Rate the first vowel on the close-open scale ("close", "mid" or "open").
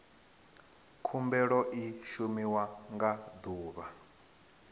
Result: close